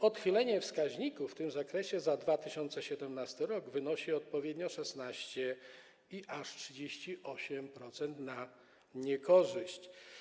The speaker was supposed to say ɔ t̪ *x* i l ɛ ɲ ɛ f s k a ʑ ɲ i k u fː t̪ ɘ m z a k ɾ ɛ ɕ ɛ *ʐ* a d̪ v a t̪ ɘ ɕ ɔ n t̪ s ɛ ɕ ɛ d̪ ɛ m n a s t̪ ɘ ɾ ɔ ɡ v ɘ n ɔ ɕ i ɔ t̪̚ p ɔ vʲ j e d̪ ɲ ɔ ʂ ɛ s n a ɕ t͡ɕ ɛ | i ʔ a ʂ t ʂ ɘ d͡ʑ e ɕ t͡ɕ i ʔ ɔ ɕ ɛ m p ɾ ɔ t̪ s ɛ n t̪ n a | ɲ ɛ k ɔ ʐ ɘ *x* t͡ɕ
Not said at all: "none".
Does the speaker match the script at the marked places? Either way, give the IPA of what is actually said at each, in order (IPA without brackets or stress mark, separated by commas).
x, z, ɕ